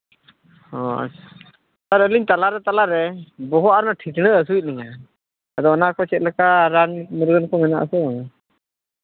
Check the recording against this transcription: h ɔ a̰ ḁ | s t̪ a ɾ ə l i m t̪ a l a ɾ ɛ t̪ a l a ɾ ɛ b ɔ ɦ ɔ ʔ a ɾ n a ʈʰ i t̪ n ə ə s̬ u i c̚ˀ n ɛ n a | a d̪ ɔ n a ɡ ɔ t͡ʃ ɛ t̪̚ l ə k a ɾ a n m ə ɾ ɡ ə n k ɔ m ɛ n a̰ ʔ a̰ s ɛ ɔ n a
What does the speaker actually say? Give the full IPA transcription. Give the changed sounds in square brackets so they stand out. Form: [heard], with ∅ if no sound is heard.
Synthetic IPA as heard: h ɔ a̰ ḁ | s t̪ a ɾ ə l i [ɲ] t̪ a l a ɾ ɛ t̪ a l a ɾ ɛ b ɔ ɦ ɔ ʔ a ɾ n a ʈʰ i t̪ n ə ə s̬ u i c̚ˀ n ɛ [ɲ] a | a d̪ ɔ n a [k] ɔ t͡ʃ ɛ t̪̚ l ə k a ɾ a n m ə ɾ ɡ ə n k ɔ m ɛ n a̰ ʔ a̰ s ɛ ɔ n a